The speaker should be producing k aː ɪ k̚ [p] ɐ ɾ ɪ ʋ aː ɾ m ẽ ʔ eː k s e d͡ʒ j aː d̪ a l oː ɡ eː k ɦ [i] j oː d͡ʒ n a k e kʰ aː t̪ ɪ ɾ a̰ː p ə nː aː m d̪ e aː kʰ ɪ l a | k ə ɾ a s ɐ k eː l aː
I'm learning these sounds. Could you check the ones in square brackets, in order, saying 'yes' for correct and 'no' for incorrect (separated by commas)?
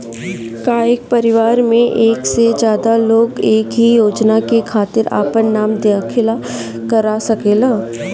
yes, yes